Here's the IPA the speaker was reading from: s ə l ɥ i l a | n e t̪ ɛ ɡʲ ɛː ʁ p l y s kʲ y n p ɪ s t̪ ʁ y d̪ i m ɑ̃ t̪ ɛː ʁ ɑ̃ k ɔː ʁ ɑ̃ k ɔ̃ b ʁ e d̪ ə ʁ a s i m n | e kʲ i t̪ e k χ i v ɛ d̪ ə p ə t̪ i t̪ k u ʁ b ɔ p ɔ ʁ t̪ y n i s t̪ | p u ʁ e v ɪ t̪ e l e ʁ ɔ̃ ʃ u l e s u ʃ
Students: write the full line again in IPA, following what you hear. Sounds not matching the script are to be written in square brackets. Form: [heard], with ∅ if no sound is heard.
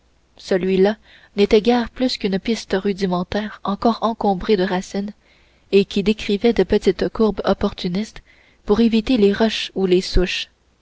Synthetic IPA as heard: s ə l ɥ i l a | n e t̪ ɛ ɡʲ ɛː ʁ p l y s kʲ y n p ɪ s t̪ ʁ y d̪ i m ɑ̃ t̪ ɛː ʁ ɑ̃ k ɔː ʁ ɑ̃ k ɔ̃ b ʁ e d̪ ə ʁ a s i [∅] n | e kʲ i [d̪] e k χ i v ɛ d̪ ə p ə t̪ i t̪ k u ʁ b ɔ p ɔ ʁ t̪ y n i s t̪ | p u ʁ e v [i] t̪ e l e ʁ [ɔ] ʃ u l e s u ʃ